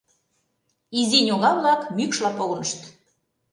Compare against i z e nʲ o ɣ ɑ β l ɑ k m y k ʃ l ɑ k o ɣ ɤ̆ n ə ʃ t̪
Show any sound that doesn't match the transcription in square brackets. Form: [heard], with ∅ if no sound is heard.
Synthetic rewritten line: i z [i] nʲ o ɣ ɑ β l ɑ k m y k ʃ l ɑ [p] o ɣ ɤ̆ n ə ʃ t̪